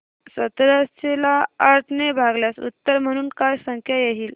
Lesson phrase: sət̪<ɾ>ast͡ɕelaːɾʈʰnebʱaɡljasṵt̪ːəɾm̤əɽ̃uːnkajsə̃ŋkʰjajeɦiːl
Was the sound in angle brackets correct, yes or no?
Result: yes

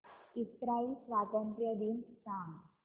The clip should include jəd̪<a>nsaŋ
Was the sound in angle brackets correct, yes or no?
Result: no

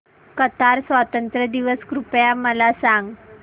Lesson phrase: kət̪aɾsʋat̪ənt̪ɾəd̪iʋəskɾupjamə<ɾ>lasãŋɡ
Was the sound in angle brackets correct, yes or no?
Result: no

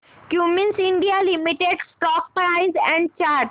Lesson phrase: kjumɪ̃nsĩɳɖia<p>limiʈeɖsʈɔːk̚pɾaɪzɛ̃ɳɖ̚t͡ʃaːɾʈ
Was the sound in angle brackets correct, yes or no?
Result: no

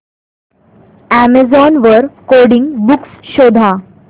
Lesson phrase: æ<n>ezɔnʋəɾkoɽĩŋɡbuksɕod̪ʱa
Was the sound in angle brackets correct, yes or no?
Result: no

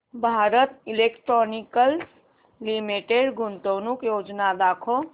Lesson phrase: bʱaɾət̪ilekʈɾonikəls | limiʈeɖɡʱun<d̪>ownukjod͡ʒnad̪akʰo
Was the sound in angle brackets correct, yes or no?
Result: no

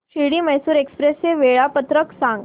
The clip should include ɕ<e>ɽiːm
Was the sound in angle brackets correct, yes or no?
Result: no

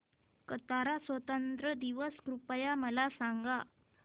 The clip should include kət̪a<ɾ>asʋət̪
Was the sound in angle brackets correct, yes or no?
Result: yes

